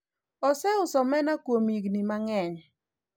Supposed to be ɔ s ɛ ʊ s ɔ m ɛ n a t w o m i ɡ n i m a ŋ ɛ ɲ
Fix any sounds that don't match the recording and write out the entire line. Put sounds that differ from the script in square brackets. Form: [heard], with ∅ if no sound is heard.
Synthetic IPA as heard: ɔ s ɛ ʊ s ɔ m ɛ n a [k] w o m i ɡ n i m a ŋ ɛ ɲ